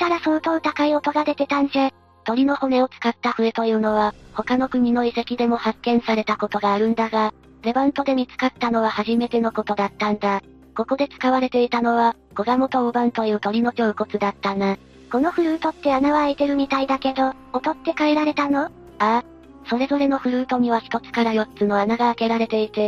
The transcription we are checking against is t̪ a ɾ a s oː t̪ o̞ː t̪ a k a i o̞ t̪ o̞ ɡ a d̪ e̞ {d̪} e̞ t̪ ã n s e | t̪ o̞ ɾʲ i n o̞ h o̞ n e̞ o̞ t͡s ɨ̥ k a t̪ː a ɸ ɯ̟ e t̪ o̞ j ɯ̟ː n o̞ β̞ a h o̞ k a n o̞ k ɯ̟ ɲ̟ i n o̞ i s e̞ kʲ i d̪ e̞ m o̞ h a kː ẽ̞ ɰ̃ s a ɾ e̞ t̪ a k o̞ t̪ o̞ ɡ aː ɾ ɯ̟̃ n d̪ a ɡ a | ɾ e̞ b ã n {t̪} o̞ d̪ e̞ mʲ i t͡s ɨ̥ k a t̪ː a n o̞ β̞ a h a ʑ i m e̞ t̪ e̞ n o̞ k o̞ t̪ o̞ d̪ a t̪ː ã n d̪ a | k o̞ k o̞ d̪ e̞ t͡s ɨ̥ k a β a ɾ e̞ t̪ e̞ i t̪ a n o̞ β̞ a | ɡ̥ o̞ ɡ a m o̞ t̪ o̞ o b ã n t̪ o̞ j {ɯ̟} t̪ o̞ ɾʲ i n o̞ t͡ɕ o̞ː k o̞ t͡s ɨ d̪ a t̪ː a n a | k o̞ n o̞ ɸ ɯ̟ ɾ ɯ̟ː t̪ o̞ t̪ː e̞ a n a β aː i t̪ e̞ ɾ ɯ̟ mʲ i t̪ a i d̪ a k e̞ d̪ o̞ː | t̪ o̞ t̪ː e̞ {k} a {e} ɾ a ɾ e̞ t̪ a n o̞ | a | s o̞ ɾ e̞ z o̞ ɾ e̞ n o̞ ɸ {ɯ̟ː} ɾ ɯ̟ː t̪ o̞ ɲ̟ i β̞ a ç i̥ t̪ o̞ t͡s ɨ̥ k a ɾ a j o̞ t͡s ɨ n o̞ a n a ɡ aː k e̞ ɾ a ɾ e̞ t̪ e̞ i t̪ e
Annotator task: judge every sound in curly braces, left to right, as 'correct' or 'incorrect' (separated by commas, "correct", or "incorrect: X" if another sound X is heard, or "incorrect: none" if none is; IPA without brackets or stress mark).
incorrect: t̪, correct, incorrect: ɯ̟ː, correct, correct, incorrect: ɯ̟